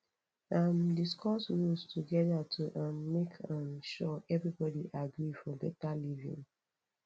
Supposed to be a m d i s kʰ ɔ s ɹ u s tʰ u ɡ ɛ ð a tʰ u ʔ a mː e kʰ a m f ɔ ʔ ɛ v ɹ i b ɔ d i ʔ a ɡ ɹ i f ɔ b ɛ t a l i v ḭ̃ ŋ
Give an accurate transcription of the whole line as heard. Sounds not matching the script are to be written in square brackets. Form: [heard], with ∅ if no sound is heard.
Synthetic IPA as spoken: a m d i s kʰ ɔ s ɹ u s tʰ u ɡ ɛ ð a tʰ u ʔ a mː e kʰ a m [ʃ] ɔ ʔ ɛ v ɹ i b ɔ d i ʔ a ɡ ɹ i f ɔ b ɛ t a l i v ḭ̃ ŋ